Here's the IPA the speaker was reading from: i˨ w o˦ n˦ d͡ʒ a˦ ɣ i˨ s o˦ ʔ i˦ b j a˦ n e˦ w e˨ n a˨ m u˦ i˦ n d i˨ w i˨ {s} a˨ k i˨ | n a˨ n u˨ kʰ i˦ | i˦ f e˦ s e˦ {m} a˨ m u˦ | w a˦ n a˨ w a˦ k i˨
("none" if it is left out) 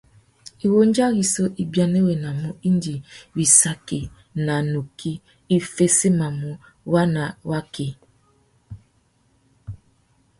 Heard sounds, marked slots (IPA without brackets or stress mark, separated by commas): s, m